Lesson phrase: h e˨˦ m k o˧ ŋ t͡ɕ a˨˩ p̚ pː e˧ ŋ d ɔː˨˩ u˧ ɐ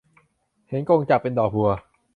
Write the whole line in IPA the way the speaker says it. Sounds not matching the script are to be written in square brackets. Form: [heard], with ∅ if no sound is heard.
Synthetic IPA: h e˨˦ [n] k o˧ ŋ t͡ɕ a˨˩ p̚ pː e˧ [n] d ɔː˨˩ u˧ ɐ